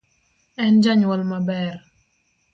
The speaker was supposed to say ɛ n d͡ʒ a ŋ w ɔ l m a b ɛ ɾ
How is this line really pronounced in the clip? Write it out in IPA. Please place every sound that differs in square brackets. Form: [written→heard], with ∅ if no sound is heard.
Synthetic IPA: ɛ n d͡ʒ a [ŋ→ɲ] w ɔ l m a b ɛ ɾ